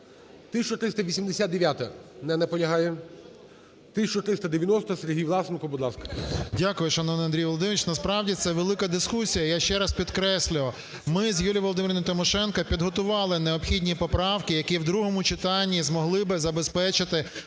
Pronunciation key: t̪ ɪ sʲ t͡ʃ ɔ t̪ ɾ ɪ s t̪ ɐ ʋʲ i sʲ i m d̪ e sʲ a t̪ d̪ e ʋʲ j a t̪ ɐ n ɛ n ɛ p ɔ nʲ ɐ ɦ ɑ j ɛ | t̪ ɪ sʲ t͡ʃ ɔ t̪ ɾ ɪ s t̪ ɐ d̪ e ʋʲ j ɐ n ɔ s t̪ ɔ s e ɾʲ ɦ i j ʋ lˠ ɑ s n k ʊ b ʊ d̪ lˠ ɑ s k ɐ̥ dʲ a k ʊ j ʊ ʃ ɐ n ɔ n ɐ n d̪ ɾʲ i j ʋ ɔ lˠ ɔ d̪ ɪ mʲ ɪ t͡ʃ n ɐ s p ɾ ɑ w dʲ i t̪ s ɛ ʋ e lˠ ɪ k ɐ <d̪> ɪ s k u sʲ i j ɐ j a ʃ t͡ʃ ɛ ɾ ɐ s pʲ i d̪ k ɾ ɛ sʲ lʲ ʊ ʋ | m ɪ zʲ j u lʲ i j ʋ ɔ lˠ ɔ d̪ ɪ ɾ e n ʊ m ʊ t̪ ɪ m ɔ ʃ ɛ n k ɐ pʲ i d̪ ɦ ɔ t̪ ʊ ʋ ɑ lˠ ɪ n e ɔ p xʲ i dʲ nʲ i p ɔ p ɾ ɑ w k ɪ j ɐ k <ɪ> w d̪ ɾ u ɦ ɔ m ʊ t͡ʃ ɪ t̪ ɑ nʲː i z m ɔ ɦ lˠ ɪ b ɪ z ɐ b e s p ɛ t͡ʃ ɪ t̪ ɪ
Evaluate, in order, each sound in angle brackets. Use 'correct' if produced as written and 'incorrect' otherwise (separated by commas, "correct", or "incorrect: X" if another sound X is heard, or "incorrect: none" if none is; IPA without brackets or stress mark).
correct, incorrect: i